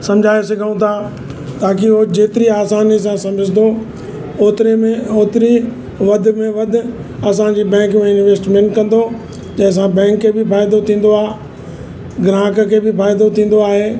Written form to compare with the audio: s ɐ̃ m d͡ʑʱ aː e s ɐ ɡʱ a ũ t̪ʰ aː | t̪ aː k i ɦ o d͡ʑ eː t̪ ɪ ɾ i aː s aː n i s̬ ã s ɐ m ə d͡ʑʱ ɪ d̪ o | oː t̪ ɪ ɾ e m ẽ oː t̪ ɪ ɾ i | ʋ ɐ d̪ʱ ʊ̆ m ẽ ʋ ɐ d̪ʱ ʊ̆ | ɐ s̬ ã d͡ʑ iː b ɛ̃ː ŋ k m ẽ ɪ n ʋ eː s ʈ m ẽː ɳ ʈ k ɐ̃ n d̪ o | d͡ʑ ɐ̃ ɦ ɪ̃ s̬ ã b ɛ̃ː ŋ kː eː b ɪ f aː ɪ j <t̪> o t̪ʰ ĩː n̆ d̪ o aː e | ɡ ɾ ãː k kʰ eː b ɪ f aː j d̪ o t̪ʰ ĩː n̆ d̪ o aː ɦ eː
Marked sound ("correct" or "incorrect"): incorrect